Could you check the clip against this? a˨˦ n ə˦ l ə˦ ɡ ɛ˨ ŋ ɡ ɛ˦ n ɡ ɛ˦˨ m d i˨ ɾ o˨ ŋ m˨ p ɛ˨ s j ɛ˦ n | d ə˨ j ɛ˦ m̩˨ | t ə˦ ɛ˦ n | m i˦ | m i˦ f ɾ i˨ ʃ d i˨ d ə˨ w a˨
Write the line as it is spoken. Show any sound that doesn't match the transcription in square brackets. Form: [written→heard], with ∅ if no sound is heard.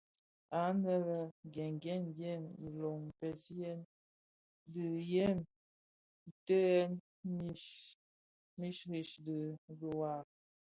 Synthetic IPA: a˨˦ n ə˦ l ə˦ ɡ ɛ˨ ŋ ɡ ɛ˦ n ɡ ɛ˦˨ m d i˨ [ɾ→l] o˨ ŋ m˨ p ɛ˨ s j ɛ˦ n | d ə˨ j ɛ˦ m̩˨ | t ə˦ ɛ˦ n | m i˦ | m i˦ [f→ʃ] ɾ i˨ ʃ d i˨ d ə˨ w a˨